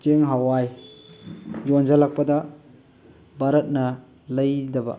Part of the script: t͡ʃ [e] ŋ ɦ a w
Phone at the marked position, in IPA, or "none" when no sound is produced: e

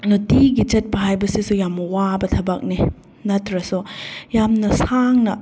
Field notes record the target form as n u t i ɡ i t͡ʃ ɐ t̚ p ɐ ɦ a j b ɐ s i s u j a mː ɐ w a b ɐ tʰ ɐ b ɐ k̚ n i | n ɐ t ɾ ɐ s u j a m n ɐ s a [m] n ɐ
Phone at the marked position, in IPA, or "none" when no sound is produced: ŋ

